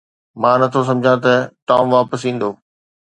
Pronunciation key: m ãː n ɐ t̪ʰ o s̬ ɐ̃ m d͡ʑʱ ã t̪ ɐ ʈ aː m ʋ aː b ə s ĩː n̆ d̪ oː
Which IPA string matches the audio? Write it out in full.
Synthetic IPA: m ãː n ɐ t̪ʰ o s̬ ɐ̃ m d͡ʑʱ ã t̪ ɐ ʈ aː m ʋ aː p ə s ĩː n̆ d̪ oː